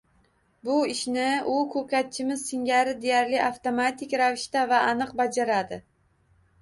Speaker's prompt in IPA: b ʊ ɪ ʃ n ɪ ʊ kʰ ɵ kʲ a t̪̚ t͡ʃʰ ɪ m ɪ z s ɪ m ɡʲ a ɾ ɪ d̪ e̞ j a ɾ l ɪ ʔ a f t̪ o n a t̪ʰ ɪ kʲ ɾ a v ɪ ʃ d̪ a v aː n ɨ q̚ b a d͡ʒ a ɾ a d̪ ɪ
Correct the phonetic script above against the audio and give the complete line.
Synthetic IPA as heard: b ʊ ɪ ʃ n ɪ ʊ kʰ ɵ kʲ a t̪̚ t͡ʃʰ ɪ m ɪ z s ɪ ŋ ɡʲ a ɾ ɪ d̪ e̞ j a ɾ l ɪ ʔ a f t̪ o m a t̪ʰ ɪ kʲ ɾ a v ɪ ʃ t̪ a v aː n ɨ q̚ b a d͡ʒ a ɾ a d̪ ɪ